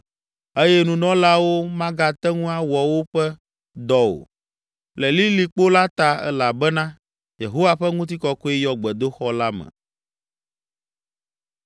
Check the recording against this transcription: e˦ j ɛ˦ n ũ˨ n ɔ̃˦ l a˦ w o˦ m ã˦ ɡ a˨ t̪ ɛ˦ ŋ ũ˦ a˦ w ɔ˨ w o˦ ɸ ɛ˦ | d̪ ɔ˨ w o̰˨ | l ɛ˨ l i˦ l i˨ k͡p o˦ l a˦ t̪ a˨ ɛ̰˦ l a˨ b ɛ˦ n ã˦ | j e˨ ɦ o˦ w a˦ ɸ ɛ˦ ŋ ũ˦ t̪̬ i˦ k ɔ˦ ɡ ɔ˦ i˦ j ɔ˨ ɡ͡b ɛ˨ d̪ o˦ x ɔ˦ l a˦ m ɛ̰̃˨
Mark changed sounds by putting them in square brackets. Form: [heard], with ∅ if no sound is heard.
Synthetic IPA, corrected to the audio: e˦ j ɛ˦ n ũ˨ n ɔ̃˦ l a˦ w o˦ m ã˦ ɡ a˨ t̪ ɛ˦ ŋ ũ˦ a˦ w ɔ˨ w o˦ ɸ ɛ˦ | d̪ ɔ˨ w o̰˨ | l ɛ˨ l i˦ l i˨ k͡p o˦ l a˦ t̪ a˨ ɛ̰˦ l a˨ b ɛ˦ n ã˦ | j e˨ ɦ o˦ w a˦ ɸ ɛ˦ ŋ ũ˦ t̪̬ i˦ k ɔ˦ [k] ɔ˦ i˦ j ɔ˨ ɡ͡b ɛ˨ d̪ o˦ x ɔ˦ l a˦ m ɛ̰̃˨